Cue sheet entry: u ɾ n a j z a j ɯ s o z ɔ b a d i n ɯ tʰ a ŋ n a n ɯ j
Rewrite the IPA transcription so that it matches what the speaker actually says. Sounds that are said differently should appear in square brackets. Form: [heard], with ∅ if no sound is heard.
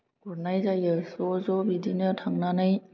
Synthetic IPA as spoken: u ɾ n a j z a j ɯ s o z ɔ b [i] d i n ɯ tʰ a ŋ n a n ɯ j